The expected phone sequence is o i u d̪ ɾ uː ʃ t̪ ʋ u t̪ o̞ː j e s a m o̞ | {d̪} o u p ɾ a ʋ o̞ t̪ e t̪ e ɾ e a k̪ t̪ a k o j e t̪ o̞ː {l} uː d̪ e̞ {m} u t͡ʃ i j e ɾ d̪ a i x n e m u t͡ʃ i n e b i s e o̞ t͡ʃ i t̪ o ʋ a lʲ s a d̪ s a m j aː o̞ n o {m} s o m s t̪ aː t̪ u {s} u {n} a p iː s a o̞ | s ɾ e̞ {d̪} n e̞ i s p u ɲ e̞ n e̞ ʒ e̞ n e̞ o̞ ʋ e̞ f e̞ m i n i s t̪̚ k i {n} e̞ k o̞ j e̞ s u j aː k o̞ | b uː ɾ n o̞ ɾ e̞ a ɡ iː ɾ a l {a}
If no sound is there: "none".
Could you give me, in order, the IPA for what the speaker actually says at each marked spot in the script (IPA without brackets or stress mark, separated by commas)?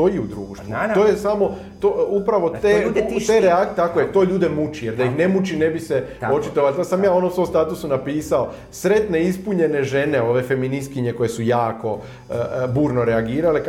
t̪, ʎ, m, m, s, n, t̪, ɲ, e